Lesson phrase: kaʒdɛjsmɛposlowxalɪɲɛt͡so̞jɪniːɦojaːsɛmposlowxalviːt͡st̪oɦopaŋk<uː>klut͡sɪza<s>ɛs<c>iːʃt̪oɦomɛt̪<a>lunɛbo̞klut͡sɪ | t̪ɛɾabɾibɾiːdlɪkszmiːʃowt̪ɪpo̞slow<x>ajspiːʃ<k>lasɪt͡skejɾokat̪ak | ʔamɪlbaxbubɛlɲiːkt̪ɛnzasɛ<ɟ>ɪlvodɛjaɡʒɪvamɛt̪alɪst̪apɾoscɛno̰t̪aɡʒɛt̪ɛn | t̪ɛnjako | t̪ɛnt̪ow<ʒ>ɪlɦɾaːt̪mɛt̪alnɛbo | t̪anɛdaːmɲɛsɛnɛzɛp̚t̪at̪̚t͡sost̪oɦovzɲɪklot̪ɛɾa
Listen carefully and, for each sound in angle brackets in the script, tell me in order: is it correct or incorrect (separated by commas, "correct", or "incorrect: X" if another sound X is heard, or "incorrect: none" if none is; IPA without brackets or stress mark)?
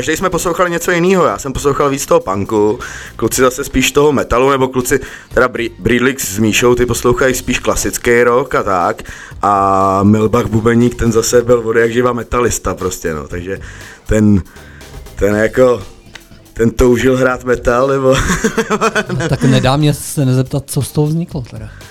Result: incorrect: u, correct, incorrect: p, correct, correct, correct, incorrect: b, correct